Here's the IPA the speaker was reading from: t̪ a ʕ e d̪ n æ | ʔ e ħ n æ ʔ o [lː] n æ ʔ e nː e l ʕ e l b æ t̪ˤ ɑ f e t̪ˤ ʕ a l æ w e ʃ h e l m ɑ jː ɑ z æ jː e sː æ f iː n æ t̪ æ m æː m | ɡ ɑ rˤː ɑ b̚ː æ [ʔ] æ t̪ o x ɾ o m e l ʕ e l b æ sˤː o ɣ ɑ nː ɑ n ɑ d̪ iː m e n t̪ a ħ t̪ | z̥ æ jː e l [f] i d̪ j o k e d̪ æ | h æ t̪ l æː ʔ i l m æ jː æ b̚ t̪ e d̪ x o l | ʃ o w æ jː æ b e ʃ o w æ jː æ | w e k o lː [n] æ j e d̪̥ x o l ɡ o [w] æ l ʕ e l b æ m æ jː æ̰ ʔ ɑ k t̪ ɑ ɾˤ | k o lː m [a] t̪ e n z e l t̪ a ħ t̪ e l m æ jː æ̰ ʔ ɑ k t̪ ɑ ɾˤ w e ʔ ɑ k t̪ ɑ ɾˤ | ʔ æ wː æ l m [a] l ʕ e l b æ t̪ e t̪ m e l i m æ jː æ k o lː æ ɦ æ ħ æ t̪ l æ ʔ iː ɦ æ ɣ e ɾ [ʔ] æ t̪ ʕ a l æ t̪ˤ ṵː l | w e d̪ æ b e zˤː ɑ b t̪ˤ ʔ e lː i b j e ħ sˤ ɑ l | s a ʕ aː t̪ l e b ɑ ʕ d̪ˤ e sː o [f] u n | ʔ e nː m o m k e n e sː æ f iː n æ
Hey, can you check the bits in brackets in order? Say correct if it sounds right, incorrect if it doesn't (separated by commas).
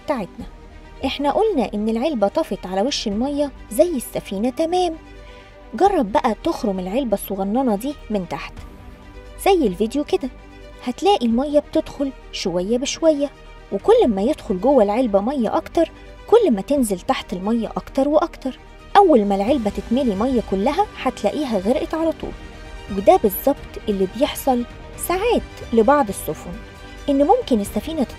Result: incorrect, correct, incorrect, incorrect, incorrect, incorrect, incorrect, correct, correct